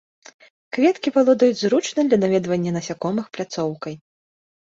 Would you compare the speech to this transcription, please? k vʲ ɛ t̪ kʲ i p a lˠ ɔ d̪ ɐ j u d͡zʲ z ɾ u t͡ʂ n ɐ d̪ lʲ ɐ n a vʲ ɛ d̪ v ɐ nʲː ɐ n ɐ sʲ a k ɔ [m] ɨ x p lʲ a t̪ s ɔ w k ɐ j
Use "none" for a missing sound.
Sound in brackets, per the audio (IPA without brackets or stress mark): m